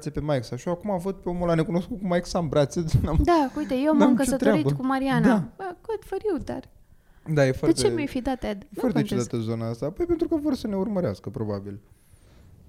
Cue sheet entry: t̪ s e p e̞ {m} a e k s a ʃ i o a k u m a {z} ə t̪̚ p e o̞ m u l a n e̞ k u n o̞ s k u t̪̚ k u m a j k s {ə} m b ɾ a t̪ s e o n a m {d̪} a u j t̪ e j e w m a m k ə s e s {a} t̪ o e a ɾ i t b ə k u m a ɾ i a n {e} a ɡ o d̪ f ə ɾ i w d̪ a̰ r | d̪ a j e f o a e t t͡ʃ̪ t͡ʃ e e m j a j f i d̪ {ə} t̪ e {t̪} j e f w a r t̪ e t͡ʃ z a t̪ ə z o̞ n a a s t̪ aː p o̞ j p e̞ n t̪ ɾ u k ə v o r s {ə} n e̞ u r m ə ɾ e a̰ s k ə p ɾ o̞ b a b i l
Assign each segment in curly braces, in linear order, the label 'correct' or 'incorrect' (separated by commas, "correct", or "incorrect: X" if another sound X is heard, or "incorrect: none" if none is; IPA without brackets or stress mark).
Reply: correct, incorrect: v, incorrect: a, correct, incorrect: ə, incorrect: a, incorrect: a, incorrect: d̪, correct